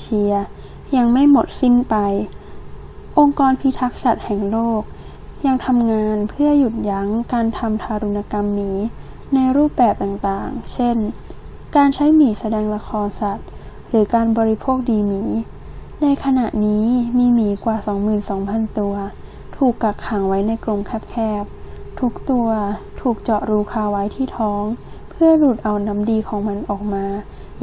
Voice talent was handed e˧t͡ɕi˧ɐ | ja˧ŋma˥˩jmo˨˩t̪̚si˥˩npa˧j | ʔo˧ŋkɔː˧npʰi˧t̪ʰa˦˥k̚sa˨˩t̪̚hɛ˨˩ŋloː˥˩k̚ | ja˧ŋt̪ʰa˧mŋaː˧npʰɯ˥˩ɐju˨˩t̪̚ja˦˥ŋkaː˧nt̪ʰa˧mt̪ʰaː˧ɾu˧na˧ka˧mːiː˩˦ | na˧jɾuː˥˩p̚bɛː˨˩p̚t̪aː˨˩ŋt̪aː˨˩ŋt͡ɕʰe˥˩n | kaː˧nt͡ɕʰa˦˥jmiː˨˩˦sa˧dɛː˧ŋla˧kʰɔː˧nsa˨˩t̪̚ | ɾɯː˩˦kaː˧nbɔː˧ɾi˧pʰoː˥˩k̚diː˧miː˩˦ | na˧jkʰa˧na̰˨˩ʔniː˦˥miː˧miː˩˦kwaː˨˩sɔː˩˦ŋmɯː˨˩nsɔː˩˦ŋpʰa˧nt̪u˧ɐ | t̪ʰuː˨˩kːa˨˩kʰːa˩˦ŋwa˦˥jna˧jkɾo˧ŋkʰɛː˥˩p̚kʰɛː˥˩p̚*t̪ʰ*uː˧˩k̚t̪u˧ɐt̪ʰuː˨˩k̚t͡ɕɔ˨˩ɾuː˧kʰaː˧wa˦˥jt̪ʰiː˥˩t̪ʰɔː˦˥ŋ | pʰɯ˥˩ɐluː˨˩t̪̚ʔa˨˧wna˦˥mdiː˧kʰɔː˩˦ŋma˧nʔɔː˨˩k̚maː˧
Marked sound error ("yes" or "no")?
no